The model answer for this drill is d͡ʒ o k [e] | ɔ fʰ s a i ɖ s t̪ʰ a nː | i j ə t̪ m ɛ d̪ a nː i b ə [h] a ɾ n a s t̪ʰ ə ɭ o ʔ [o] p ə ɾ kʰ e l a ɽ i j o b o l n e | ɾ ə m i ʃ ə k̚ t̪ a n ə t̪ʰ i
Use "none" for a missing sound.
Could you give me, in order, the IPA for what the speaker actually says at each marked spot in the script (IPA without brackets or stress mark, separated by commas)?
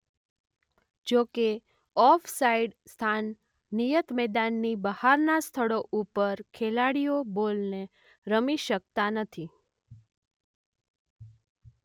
e, h, u